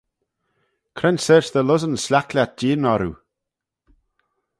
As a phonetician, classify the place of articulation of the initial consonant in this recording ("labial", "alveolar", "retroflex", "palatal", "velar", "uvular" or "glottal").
velar